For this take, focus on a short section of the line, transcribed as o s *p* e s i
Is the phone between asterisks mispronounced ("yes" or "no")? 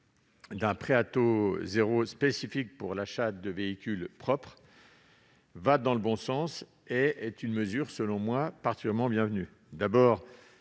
no